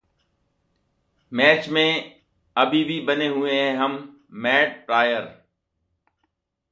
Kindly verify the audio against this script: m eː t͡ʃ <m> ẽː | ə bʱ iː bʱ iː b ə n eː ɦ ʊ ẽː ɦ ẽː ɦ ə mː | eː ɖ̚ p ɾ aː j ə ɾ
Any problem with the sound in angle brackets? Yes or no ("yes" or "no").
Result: no